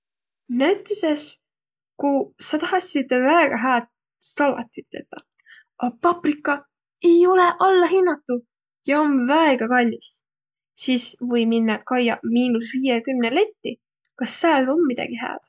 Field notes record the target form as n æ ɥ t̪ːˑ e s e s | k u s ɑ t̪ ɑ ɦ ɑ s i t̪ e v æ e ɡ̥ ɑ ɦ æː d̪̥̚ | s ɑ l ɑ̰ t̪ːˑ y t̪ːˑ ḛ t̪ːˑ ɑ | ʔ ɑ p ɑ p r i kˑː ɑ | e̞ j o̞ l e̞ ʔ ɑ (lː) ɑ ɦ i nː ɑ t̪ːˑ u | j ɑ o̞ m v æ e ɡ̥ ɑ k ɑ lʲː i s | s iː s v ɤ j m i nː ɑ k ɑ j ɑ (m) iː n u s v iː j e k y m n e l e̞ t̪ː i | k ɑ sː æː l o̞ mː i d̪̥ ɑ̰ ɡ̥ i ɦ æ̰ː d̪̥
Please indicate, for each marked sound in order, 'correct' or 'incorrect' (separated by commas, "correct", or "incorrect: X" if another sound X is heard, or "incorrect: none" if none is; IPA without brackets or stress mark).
correct, correct